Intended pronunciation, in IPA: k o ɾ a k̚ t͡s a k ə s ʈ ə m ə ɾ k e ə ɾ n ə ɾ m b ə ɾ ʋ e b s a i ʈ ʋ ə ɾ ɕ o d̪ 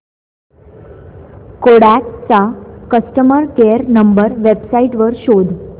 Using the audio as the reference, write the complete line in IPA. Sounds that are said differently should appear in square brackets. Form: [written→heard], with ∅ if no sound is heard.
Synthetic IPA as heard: k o [ɾ→ɽ] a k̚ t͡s a k ə s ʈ ə m ə ɾ k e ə ɾ n ə [ɾ→∅] m b ə ɾ ʋ e b s a i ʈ ʋ ə ɾ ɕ o d̪